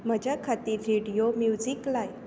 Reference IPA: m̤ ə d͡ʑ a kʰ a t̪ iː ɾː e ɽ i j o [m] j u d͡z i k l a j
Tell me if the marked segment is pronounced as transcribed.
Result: yes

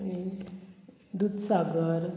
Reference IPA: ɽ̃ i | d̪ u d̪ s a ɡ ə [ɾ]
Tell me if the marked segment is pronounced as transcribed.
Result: yes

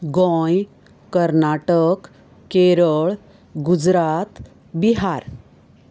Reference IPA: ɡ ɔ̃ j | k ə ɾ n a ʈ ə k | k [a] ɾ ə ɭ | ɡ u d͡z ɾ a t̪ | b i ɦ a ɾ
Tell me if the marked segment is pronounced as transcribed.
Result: no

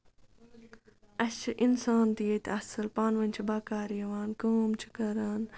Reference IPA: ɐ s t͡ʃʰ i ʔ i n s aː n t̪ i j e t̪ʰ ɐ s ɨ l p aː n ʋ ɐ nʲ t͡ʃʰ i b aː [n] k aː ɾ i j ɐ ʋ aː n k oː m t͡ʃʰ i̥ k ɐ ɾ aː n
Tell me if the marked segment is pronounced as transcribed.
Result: no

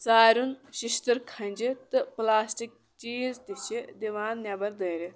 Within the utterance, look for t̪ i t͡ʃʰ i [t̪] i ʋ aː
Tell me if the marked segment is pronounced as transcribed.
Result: no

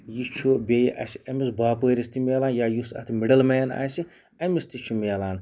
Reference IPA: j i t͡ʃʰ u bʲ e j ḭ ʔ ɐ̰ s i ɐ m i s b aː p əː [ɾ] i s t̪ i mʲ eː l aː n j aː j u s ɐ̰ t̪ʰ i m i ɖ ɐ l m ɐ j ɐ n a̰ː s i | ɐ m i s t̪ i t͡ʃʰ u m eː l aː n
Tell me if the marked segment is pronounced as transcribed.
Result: yes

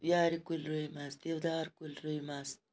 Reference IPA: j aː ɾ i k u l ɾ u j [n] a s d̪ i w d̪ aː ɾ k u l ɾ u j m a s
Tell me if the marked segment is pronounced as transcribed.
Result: no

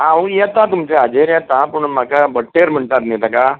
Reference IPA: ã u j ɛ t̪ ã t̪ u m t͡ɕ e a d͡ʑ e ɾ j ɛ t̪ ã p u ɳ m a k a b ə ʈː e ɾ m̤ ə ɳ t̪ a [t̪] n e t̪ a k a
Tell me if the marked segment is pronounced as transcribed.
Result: yes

